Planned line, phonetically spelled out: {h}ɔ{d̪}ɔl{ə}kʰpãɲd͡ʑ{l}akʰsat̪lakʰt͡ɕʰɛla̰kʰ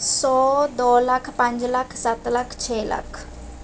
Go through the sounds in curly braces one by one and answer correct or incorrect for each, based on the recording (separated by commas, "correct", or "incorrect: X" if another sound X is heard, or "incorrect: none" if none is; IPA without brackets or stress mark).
incorrect: s, correct, incorrect: a, correct